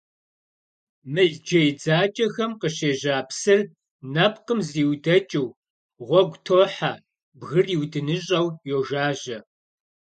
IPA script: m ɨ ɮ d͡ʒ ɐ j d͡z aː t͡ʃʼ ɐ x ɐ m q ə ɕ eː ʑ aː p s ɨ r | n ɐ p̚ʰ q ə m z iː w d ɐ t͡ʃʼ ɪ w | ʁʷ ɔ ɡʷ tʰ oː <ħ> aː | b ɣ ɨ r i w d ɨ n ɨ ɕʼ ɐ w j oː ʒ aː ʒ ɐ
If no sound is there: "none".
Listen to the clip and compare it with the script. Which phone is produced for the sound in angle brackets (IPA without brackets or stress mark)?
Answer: ħ